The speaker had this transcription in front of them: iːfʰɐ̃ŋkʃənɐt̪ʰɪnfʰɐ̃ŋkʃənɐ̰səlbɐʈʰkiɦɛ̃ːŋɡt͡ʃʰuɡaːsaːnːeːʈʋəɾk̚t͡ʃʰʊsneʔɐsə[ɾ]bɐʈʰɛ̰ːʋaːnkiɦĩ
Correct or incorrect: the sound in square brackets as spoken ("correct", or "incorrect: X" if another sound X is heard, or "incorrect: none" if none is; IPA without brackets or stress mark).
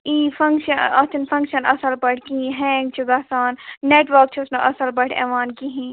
incorrect: l